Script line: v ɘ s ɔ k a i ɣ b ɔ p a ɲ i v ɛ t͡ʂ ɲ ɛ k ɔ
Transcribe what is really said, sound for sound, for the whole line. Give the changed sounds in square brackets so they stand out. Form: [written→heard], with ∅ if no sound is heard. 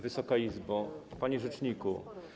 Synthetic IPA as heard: v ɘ s ɔ k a i [ɣ→z] b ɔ p a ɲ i [v→ʐ] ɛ t͡ʂ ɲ [ɛ→i] k [ɔ→u]